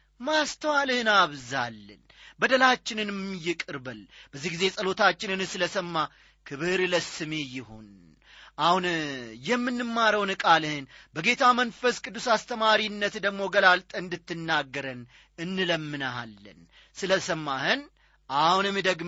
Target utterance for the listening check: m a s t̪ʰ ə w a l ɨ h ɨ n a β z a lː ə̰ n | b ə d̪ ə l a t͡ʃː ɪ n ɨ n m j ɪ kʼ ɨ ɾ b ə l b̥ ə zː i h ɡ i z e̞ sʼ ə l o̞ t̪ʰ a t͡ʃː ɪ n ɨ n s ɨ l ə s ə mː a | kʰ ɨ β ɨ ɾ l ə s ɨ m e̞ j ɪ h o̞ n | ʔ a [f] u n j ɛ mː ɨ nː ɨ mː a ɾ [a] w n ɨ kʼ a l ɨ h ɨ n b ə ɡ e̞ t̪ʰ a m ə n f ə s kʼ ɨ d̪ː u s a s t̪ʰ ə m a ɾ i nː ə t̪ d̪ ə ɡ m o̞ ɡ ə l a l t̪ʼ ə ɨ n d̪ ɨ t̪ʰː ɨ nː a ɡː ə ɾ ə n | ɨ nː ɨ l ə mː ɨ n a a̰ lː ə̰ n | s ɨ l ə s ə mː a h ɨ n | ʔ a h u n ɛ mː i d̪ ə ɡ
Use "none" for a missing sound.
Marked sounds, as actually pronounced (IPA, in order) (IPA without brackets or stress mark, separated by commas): h, ə